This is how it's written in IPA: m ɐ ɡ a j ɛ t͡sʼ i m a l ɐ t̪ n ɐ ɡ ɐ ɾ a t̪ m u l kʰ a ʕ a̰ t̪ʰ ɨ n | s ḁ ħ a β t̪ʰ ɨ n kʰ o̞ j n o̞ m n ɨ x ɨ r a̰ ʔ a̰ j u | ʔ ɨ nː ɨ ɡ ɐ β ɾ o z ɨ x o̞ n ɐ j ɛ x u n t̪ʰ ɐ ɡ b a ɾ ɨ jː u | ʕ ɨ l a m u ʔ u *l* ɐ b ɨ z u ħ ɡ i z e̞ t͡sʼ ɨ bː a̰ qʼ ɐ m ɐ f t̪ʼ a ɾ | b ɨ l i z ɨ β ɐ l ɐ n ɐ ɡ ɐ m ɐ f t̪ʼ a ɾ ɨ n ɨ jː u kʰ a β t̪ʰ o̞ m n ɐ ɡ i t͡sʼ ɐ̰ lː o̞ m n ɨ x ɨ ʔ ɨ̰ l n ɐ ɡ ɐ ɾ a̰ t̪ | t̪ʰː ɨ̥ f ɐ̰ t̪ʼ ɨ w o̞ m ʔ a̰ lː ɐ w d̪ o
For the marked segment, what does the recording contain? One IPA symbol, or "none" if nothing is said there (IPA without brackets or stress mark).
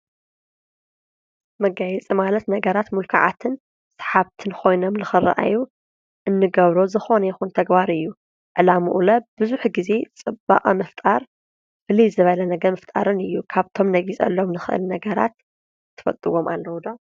l